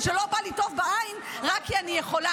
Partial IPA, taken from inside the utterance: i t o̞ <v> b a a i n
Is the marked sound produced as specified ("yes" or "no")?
yes